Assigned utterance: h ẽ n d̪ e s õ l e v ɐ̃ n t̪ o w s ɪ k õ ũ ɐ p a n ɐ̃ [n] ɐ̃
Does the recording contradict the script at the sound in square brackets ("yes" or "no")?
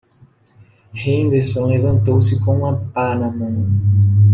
yes